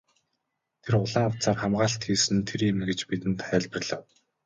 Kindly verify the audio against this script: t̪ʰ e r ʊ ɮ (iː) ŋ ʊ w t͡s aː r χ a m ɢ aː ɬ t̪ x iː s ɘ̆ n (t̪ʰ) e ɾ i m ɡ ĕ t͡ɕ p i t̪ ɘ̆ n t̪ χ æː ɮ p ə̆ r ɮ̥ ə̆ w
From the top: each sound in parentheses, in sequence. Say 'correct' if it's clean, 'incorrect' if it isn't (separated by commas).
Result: incorrect, correct